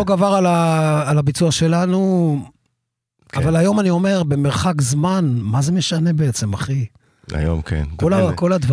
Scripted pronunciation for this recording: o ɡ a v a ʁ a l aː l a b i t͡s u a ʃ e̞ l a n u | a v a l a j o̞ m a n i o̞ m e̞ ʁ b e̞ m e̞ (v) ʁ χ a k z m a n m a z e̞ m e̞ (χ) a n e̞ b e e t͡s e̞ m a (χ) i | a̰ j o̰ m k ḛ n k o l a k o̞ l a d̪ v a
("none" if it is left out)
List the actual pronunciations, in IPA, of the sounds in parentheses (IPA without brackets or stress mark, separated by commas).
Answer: none, ʃ, χ